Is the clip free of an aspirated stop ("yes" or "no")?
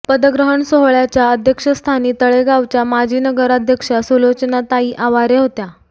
no